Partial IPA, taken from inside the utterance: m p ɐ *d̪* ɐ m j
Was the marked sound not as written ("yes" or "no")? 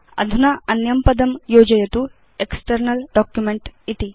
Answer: no